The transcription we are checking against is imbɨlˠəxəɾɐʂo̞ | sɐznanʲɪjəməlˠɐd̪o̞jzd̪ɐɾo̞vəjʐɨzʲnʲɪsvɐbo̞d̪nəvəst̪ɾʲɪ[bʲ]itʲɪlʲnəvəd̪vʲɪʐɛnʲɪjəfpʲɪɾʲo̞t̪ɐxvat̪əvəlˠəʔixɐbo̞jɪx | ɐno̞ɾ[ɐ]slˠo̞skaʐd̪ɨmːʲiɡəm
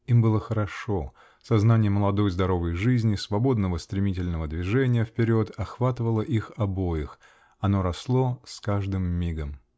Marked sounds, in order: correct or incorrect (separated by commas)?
incorrect, correct